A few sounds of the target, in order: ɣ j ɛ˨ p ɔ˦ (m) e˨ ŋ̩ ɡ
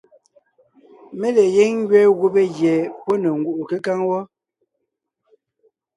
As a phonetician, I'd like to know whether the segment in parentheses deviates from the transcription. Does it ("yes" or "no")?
yes